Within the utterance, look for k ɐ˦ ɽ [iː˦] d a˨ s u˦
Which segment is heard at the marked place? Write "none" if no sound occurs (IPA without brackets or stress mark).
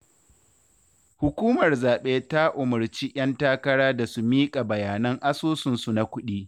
aː˦